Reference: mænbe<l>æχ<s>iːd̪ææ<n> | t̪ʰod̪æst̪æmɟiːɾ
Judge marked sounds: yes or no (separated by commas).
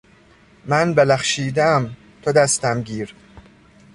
yes, no, no